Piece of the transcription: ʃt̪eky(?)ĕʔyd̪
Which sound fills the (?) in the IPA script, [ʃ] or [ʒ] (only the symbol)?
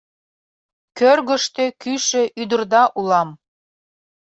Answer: ʃ